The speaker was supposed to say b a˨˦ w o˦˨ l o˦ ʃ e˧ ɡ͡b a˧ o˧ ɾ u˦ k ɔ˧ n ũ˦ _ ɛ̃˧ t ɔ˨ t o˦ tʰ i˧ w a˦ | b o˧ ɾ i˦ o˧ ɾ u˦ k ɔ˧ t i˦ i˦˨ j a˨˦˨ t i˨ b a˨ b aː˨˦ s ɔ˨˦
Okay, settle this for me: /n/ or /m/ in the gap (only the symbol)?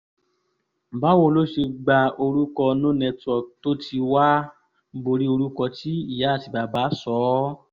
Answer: n